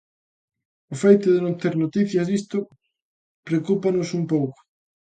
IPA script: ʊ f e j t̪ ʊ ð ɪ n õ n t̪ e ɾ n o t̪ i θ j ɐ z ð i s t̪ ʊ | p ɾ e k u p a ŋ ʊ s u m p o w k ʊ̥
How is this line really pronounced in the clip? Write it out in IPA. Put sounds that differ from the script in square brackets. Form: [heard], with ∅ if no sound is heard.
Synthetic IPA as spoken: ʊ f e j t̪ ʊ ð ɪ n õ n t̪ e ɾ n o t̪ i θ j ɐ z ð i s t̪ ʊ | p ɾ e k u p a [n] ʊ s u m p o w k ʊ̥